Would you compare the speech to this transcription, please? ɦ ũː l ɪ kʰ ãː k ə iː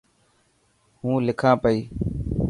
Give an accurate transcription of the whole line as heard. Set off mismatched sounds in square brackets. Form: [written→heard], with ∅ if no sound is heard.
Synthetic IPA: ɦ ũː l ɪ kʰ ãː [k→p] ə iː